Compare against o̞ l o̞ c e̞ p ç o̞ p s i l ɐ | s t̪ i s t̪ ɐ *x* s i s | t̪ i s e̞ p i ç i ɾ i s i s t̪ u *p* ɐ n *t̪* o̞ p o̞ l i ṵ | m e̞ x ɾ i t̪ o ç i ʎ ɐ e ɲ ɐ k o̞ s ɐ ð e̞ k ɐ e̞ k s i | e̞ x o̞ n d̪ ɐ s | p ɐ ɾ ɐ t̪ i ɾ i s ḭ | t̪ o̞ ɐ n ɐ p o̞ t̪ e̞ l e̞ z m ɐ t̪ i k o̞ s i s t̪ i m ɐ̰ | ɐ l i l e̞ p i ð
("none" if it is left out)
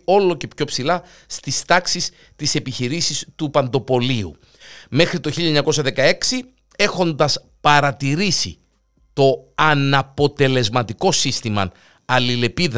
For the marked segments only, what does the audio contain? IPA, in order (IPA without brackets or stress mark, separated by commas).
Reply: k, p, d̪